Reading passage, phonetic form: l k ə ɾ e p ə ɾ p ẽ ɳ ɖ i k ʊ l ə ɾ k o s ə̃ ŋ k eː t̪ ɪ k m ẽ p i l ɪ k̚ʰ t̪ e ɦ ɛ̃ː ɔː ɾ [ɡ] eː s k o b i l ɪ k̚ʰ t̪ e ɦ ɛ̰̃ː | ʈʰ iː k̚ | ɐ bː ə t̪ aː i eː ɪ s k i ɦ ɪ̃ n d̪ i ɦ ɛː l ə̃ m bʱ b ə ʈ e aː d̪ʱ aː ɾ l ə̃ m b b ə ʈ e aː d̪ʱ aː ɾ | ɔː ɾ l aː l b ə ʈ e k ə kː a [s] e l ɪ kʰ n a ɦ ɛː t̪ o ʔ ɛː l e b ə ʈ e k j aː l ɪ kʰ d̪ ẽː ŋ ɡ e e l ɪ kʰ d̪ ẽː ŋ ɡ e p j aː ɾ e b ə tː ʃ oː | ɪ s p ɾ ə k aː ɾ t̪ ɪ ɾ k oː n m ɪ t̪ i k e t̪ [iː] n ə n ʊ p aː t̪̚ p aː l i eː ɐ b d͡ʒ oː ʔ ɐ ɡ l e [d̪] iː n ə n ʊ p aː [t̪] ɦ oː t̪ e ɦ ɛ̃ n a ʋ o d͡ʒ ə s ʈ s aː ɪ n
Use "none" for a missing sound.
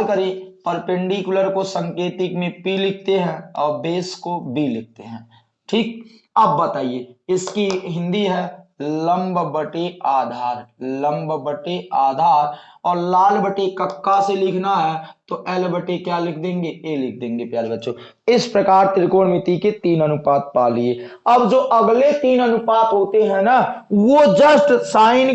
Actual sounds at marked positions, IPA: b, s, iː, t̪, t̪

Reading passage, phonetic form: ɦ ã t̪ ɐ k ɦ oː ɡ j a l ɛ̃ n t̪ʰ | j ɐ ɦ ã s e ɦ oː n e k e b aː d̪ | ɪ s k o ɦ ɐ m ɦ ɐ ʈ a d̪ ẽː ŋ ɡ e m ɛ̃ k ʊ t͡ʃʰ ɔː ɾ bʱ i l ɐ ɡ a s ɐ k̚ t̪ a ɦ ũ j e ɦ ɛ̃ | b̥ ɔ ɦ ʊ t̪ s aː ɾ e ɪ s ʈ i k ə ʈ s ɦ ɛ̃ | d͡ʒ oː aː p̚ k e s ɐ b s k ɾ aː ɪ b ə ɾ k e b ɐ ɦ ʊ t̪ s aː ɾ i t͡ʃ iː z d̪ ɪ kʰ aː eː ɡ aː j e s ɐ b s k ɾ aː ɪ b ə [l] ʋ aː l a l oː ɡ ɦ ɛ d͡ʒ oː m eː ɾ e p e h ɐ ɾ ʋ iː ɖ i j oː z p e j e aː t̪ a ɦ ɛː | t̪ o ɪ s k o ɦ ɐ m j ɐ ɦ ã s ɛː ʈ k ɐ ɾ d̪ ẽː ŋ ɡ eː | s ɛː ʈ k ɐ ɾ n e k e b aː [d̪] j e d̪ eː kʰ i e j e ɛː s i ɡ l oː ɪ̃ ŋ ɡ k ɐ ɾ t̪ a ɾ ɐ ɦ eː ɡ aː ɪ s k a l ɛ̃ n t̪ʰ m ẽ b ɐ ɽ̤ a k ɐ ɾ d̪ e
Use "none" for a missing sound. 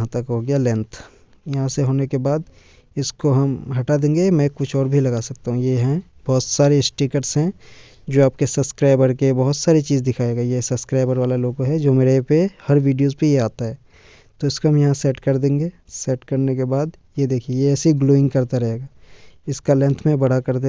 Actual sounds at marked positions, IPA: ɾ, d̪

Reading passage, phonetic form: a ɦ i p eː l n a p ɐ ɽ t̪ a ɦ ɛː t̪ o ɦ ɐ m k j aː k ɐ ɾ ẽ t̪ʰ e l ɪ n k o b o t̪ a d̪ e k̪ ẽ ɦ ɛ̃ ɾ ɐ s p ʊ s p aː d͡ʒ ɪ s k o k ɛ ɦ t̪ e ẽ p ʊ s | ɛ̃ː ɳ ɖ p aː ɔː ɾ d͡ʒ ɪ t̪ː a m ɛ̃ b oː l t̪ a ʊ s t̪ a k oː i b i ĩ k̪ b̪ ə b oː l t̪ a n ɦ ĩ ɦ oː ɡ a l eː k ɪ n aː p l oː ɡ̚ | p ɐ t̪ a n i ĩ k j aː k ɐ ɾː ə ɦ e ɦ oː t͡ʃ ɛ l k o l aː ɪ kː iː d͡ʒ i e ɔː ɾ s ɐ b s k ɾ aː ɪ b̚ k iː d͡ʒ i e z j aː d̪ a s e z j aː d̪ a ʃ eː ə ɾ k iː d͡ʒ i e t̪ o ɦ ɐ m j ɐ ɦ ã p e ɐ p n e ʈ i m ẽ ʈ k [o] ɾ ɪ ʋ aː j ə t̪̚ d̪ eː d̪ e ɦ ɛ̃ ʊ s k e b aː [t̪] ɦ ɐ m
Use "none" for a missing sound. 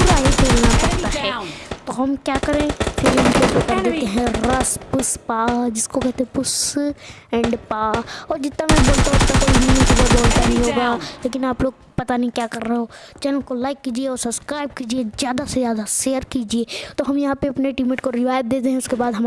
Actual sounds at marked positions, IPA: o, d̪

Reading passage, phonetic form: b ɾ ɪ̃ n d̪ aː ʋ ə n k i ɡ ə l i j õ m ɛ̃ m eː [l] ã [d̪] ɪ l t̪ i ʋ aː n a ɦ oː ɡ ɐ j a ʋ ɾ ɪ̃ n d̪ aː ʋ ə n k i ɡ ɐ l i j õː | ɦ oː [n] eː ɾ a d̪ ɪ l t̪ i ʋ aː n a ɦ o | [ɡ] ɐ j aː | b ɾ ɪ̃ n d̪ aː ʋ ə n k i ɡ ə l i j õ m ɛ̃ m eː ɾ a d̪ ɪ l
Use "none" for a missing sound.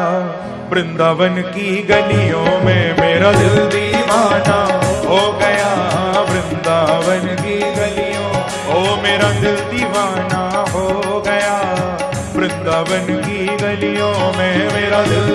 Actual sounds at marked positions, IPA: ɾ, d̪, m, ɡ

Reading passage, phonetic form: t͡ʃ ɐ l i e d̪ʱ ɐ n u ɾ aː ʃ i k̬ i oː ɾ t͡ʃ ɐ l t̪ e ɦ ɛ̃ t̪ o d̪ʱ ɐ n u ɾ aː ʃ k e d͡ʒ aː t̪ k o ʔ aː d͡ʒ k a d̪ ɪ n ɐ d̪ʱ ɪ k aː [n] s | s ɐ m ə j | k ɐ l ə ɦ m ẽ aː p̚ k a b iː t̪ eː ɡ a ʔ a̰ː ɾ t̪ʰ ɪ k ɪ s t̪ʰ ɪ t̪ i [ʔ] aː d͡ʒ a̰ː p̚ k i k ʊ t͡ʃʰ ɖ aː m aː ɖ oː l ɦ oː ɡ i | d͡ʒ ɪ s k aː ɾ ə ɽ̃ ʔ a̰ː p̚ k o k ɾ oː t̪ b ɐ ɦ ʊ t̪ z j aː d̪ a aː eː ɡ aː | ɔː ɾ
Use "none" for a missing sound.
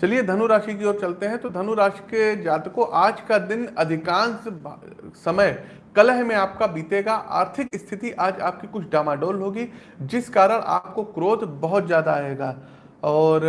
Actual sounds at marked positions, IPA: n, ʔ

